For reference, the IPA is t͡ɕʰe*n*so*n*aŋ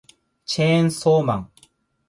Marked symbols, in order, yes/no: yes, no

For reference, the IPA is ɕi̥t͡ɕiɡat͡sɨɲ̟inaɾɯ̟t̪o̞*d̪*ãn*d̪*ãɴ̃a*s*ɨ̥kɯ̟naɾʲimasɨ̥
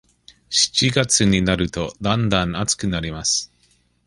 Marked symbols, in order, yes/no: yes, yes, no

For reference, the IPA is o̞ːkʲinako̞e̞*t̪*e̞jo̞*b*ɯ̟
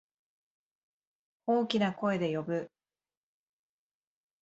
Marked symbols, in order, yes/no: no, yes

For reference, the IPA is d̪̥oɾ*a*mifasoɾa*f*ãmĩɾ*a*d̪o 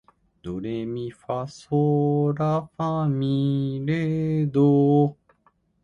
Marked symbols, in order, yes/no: no, yes, no

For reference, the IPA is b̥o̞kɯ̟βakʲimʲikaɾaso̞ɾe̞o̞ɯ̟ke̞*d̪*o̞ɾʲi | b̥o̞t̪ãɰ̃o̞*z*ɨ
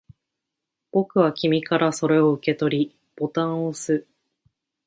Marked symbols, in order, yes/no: no, no

